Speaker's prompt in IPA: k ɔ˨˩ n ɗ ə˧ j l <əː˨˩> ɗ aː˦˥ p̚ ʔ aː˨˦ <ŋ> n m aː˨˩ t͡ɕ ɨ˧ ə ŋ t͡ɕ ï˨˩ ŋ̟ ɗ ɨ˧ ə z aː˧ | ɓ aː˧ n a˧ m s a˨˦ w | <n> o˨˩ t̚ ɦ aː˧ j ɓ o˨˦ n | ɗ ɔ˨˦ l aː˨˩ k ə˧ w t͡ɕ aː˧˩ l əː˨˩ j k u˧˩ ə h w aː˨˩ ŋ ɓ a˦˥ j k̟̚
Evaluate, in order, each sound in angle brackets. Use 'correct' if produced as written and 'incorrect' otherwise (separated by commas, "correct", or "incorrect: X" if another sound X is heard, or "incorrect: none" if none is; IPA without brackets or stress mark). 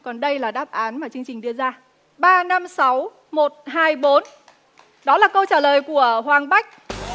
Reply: incorrect: aː˨˩, incorrect: none, incorrect: m